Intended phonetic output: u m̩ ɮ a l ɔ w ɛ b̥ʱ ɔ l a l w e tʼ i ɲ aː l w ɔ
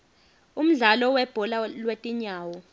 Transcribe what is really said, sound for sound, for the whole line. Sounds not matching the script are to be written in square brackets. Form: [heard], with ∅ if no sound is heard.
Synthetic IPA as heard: u m̩ ɮ a l ɔ w ɛ b̥ʱ ɔ l a l w e tʼ i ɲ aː [∅] w ɔ